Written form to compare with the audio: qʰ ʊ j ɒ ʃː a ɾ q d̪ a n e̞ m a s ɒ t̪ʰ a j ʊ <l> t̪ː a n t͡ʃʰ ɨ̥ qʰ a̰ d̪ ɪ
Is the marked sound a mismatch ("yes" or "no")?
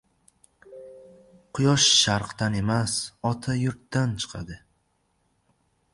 yes